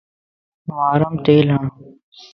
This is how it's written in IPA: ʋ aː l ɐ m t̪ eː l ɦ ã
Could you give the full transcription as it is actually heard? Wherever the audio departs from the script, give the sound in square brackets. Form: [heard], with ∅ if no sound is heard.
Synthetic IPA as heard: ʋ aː [ɾ] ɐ m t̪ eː l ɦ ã